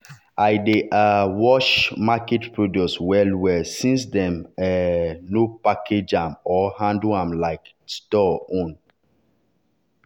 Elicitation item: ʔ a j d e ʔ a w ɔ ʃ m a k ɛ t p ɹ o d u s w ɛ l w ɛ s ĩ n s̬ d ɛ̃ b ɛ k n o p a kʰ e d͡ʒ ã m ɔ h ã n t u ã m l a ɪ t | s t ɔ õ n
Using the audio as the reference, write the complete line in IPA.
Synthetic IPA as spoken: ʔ a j d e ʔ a w ɔ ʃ m a k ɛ t p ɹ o d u s w ɛ l w ɛ s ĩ n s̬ d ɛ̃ m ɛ n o p a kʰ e d͡ʒ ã m ɔ h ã n d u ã m l a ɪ k | s t ɔ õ n